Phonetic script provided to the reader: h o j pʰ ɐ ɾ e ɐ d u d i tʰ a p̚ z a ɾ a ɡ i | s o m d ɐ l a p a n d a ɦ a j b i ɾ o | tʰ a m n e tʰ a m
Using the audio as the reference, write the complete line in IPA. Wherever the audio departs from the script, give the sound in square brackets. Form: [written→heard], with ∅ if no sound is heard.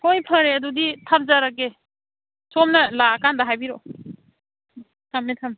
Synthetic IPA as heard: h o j pʰ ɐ ɾ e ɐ d u d i tʰ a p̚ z a ɾ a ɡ [i→e] | s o m [d→n] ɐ l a [p→k] a n d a ɦ a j b i ɾ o | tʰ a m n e tʰ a m